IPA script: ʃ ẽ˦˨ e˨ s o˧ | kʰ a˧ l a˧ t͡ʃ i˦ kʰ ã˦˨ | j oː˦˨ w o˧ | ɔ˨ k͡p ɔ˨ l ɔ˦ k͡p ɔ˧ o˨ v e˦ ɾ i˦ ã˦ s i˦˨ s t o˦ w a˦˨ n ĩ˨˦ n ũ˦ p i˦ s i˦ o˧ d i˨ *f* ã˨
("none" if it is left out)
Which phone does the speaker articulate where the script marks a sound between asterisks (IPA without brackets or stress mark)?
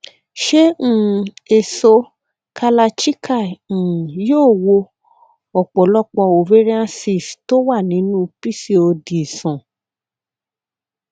s